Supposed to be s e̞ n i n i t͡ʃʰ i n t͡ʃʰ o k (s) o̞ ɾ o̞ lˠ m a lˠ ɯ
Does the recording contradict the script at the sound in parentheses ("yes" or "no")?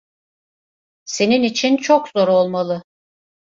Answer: yes